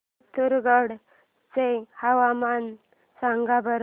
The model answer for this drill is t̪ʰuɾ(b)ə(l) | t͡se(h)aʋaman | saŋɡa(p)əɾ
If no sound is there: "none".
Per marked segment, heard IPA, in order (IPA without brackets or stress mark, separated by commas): ɡ, ɽ, h, b